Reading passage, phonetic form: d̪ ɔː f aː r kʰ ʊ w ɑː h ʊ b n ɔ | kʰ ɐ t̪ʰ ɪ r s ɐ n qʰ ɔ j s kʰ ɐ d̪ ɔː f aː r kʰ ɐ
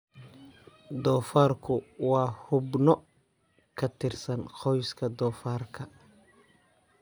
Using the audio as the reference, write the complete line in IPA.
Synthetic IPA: d̪ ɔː f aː r kʰ ʊ w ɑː h ʊ b n ɔ | kʰ ɐ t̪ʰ ɪ r s ɐ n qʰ ɔ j s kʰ ɐ d̪ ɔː f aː r kʰ ɐ